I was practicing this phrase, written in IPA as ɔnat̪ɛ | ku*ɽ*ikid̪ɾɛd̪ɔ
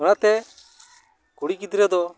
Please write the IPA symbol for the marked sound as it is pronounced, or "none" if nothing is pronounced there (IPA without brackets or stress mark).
ɽ